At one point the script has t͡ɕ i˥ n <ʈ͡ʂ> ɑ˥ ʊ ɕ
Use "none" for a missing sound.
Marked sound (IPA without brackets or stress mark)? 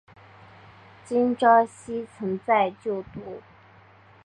ʈ͡ʂ